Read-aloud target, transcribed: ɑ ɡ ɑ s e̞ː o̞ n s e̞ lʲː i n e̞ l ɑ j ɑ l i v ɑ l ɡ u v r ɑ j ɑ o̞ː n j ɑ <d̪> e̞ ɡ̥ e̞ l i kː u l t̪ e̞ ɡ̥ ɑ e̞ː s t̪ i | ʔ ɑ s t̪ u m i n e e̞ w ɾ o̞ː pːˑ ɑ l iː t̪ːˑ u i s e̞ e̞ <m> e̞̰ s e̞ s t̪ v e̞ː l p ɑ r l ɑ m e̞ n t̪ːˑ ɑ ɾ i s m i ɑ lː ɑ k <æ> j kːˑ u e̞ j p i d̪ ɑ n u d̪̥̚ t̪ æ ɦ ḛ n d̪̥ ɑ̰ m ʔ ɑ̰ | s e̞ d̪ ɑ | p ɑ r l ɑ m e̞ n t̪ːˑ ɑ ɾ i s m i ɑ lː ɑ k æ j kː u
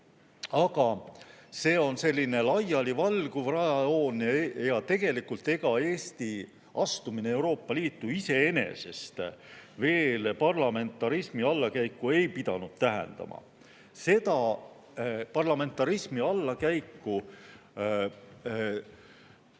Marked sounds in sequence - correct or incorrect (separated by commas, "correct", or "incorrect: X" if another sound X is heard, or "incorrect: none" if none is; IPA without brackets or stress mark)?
incorrect: t̪, incorrect: n, correct